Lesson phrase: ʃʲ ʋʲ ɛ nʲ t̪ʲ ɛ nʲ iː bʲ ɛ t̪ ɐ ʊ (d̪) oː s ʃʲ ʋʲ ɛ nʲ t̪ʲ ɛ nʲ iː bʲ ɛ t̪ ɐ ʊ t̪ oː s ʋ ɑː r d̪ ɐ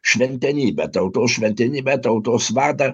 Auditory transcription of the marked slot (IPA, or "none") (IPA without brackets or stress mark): t̪